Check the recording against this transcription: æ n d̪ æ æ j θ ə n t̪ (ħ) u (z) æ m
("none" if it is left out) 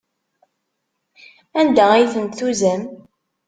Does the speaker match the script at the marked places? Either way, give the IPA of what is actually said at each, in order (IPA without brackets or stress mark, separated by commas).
θ, z